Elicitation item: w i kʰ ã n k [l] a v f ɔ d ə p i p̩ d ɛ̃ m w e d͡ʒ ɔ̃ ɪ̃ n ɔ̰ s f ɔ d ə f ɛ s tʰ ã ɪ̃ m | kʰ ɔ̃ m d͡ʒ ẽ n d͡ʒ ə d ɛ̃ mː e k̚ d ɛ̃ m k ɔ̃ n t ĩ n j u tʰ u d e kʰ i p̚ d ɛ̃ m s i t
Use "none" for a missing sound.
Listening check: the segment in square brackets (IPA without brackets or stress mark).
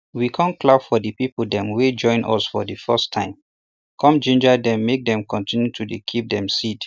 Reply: l